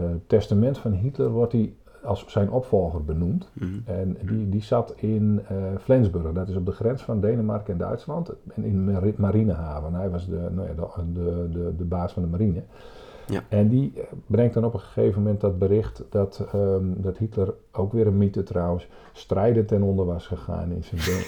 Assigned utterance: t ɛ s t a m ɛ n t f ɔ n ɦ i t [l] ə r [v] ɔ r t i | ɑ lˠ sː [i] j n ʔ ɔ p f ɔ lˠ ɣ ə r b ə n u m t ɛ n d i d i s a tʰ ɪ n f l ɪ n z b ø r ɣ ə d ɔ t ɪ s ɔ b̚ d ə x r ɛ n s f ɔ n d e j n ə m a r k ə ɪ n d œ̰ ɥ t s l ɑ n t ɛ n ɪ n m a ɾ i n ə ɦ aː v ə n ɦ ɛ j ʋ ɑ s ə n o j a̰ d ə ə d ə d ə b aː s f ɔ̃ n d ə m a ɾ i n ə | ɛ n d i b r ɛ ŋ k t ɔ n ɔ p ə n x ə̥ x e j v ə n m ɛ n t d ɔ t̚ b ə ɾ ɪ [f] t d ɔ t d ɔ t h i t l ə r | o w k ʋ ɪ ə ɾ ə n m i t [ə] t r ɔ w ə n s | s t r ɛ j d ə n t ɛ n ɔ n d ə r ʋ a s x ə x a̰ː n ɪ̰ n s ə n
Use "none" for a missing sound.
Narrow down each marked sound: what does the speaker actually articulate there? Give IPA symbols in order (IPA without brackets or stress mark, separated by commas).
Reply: l, ʋ, ɛ, x, ə